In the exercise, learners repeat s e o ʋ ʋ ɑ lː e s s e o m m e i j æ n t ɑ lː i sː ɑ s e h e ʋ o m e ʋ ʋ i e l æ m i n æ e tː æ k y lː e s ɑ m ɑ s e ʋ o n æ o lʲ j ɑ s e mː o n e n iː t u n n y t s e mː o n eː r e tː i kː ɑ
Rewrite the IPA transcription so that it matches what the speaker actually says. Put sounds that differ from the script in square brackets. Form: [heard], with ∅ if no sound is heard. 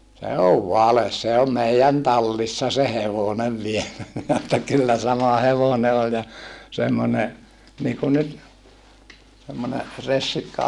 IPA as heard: s e o ʋ ʋ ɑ [l] e s s e o m m e i j æ n t ɑ lː i sː ɑ s e h e ʋ o [n] e ʋ ʋ i e l æ m i n æ e tː æ k y lː [æ] s ɑ m ɑ [h] e ʋ o n [e] o lʲ j ɑ s e mː o n e n iː [k] u n n y t s e mː o n [e] r e [sː] i kː ɑ